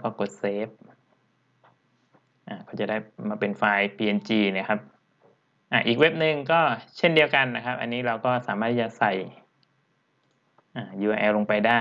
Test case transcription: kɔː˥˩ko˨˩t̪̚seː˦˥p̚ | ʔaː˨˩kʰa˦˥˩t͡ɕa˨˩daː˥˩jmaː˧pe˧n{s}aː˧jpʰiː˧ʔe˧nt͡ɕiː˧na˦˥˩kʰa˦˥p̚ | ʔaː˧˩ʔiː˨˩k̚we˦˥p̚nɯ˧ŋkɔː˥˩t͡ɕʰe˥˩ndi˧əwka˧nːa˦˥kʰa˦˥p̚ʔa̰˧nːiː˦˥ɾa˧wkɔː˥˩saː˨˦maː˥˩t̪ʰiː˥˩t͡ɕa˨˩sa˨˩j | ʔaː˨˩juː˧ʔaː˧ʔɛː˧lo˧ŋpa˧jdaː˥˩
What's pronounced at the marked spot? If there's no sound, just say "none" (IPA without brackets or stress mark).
f